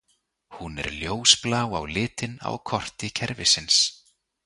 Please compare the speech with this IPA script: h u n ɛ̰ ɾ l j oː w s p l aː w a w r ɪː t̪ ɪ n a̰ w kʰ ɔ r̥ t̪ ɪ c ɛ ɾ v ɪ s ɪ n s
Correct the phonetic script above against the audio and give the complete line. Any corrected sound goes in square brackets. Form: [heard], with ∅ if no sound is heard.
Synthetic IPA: h u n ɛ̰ ɾ l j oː w s p l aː w a w [l] ɪː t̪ ɪ n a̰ w kʰ ɔ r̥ t̪ ɪ [cʰ] ɛ ɾ v ɪ s ɪ n s